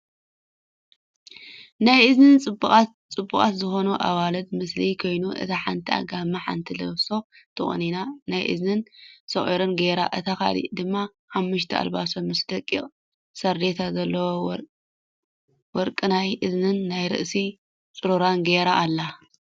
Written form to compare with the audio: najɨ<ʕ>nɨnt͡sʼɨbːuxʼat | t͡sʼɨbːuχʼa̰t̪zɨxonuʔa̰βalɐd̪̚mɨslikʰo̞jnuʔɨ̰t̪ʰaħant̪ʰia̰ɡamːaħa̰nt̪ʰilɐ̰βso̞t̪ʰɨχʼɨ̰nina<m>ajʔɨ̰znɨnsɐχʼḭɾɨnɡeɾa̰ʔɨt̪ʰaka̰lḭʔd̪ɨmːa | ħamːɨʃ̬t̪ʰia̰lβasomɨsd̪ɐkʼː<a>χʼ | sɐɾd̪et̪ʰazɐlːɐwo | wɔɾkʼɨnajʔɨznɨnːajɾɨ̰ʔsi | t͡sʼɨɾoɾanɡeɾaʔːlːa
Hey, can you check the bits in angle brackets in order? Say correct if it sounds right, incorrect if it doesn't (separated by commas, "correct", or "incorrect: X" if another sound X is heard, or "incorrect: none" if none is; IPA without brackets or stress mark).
incorrect: z, incorrect: n, incorrect: i